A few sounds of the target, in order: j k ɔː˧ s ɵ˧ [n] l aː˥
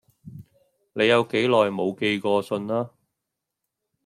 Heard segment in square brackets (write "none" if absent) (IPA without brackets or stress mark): n